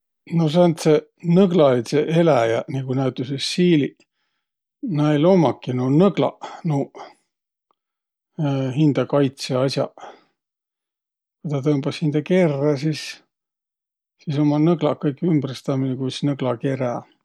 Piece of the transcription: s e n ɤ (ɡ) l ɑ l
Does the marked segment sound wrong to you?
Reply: no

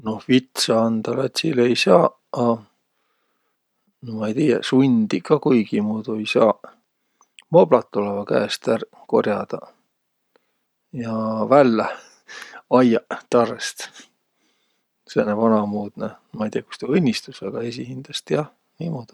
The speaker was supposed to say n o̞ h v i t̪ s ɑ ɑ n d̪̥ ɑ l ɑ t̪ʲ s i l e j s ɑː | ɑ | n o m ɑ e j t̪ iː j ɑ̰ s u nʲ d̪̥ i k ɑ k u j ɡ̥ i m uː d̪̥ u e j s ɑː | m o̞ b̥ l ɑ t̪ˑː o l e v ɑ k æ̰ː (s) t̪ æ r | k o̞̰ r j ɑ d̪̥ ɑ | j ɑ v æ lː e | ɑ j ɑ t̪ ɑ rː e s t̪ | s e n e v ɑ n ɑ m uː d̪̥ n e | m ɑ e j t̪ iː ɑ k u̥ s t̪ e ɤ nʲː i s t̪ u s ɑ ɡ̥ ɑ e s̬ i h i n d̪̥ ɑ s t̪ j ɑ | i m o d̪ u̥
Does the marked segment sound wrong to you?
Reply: no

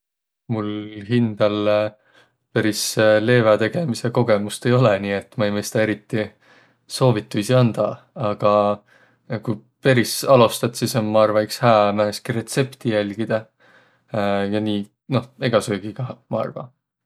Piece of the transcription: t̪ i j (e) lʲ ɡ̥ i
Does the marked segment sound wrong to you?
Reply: yes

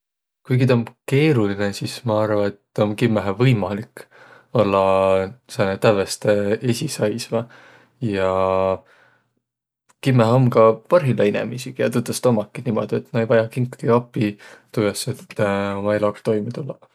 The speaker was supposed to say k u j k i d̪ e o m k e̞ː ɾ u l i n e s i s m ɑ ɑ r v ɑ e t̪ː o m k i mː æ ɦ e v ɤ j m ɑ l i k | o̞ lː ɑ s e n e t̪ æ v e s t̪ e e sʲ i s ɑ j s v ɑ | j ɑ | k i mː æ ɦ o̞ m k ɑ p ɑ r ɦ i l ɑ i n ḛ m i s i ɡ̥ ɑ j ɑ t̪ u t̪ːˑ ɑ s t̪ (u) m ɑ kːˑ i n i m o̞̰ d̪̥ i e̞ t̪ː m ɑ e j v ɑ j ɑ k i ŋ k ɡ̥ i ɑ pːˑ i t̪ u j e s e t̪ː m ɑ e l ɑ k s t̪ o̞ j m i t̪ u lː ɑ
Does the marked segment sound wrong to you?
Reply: yes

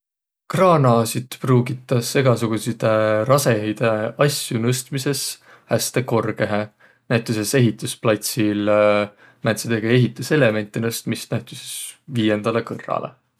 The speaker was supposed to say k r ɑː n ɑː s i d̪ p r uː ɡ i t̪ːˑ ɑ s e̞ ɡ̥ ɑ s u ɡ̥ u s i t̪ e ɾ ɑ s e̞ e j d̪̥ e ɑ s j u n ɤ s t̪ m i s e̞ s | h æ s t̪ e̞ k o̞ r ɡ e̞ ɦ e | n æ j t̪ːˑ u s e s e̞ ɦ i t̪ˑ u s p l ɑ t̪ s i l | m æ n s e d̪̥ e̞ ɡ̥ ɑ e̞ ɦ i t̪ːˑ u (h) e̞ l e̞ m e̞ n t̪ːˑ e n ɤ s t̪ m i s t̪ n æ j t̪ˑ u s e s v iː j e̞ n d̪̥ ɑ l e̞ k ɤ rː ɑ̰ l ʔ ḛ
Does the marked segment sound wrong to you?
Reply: yes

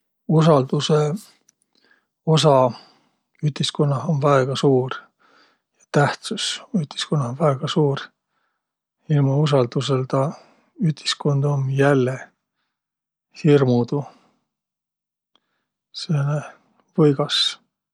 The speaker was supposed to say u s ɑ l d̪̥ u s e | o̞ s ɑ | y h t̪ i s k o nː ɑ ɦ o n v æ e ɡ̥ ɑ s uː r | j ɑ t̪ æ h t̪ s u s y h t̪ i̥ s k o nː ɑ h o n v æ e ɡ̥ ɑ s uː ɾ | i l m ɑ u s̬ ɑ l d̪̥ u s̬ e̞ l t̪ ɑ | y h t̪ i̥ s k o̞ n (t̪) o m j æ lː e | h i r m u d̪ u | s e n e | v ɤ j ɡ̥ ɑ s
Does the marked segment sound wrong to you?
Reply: yes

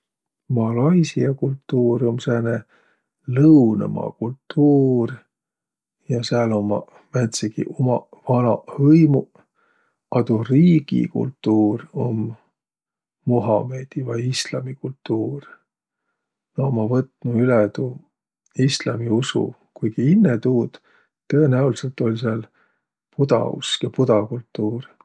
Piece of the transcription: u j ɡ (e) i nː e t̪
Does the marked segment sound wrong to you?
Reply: yes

